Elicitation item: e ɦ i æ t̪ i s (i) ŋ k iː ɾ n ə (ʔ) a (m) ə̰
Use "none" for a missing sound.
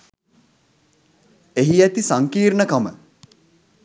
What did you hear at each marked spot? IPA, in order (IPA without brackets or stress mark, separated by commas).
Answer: a, k, m